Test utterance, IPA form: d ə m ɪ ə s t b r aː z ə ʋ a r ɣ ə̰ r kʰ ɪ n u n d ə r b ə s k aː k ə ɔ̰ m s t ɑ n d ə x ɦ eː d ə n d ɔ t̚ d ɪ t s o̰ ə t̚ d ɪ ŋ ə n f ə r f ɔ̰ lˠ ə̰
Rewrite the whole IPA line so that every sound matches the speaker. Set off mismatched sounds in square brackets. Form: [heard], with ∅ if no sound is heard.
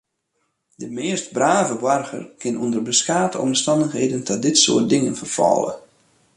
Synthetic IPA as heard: d ə m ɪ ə s t b r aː [v] ə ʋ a r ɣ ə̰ r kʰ ɪ n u n d ə r b ə s k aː [t] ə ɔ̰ m s t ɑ n d ə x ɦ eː d ə n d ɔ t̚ d ɪ t s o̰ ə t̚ d ɪ ŋ ə n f ə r f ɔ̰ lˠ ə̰